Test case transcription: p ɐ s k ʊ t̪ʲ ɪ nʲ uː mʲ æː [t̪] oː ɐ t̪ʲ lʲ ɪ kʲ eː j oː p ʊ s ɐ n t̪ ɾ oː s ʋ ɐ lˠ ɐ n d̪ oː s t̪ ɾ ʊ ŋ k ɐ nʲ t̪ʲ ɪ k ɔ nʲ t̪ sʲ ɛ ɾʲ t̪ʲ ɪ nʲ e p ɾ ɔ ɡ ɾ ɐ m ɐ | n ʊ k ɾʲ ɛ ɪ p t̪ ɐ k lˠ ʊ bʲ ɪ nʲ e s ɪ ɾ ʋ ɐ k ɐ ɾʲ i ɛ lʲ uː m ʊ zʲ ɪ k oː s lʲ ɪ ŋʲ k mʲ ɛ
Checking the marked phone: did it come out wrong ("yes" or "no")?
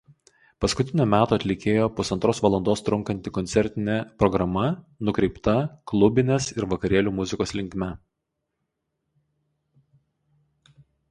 no